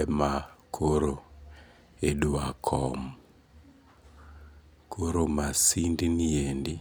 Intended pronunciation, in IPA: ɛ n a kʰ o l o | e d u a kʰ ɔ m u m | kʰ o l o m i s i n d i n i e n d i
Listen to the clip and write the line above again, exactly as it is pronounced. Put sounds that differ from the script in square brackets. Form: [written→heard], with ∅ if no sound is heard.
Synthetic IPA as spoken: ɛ [n→m] a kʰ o [l→ɾ] o | e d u a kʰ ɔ m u [m→∅] | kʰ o [l→ɾ] o m [i→a] s i n d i n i e n d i